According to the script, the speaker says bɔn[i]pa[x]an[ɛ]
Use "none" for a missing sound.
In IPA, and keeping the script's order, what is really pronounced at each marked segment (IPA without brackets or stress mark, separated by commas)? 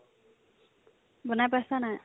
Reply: a, s, a